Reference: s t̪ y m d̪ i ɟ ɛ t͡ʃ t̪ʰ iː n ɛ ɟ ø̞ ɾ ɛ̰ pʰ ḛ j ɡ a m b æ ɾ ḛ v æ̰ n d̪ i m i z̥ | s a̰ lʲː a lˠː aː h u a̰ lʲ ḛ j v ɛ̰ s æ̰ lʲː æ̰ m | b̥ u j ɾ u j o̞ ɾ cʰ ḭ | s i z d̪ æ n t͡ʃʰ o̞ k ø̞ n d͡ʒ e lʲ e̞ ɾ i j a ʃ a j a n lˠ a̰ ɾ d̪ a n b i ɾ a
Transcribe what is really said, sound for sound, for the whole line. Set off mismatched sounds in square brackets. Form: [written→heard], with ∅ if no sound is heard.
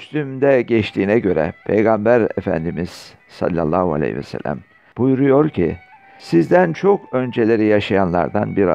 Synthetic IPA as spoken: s t̪ y m d̪ [i→ɛ] ɟ ɛ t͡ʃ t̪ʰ iː n ɛ ɟ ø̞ ɾ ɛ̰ pʰ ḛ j ɡ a m b æ ɾ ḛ [v→f] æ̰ n d̪ i m i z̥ | s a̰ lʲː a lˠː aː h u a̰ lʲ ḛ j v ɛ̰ s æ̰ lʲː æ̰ m | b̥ u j ɾ u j o̞ ɾ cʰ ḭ | s i z d̪ æ n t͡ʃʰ o̞ k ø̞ n d͡ʒ e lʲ e̞ ɾ i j a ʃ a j a n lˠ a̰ ɾ d̪ a n b i ɾ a